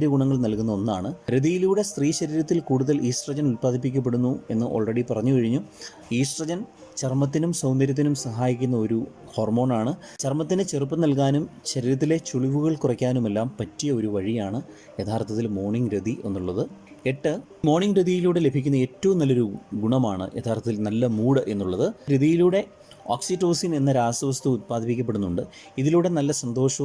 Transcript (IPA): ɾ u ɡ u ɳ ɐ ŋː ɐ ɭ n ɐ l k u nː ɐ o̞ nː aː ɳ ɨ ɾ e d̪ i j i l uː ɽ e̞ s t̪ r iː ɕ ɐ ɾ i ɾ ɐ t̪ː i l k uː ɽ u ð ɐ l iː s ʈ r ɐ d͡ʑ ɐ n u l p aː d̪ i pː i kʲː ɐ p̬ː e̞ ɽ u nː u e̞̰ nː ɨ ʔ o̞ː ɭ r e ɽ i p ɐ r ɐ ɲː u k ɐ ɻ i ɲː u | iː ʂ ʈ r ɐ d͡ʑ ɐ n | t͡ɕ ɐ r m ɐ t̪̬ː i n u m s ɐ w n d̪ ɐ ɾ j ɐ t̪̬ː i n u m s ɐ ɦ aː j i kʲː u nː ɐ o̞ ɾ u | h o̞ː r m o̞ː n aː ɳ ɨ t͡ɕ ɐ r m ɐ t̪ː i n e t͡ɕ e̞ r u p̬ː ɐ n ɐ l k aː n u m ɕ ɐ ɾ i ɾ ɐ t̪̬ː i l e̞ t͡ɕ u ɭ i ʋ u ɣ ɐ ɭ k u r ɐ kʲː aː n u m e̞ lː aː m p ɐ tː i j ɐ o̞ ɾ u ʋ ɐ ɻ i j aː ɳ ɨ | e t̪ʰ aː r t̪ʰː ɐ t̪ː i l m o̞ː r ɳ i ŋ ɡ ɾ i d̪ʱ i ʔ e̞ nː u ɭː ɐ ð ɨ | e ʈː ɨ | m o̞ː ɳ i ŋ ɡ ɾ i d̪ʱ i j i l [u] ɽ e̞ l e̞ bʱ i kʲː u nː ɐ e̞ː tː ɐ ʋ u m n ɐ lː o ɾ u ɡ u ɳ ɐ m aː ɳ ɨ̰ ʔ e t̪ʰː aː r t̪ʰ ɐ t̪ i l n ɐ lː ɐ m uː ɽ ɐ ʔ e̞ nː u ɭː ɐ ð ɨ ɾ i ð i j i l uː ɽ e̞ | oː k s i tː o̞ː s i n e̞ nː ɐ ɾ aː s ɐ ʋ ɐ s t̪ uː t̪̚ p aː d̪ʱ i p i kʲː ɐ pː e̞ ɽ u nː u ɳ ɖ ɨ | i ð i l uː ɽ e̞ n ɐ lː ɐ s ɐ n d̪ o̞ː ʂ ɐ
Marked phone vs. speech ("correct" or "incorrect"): incorrect